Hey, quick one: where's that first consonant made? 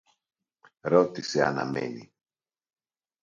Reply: tongue tip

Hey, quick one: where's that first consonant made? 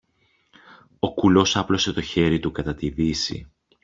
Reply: velum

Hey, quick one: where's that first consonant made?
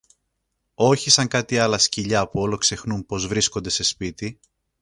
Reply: palate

